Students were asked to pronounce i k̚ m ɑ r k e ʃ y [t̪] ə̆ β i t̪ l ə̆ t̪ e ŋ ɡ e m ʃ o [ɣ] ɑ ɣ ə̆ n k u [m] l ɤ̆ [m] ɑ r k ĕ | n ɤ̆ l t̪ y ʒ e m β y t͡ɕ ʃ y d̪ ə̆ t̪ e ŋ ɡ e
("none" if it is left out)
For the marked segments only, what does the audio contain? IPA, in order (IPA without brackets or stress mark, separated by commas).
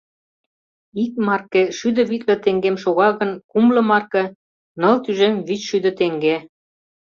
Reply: d̪, ɣ, m, m